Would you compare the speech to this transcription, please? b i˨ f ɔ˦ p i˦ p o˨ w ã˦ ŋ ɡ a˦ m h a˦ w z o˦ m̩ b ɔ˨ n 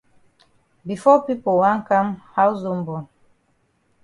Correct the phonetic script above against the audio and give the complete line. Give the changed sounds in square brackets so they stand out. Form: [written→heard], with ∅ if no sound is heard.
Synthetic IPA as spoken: b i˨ f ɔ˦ p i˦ p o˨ w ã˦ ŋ [ɡ→k] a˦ m h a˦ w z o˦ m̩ b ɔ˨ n